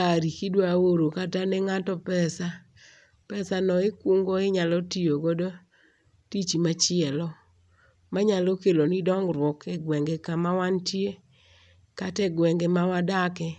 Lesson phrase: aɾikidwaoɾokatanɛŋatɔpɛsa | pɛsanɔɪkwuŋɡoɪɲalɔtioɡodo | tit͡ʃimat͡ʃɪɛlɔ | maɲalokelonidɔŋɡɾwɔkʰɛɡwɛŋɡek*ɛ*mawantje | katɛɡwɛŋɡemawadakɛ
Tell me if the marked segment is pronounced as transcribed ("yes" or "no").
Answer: no